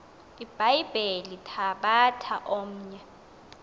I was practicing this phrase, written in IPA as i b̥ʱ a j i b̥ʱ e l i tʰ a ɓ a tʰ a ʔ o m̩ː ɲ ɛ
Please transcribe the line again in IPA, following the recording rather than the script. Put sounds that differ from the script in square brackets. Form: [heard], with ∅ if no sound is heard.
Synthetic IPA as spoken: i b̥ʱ a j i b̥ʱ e l i tʰ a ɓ a tʰ a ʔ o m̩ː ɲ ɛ